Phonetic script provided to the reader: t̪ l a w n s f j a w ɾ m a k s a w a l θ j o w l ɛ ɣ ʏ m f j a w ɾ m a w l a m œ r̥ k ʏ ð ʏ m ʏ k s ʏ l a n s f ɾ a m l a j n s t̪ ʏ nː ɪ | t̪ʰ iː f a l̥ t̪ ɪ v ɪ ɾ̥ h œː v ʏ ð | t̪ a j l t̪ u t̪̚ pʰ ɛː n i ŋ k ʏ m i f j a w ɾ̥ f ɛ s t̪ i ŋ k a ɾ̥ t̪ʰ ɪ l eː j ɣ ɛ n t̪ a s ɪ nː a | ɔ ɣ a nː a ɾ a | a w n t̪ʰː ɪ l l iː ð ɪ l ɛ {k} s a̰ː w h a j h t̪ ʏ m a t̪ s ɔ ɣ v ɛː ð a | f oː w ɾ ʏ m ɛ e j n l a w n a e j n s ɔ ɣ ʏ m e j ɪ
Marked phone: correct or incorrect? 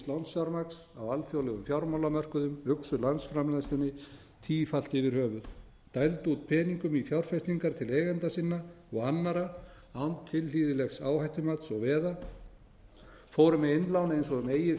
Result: incorrect